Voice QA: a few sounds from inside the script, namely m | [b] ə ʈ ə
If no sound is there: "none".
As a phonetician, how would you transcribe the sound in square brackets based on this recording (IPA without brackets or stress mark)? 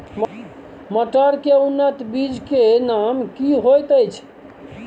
m